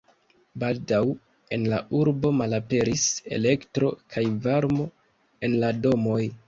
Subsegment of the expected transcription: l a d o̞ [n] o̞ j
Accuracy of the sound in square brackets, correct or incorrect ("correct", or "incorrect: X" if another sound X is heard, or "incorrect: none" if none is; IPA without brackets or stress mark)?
incorrect: m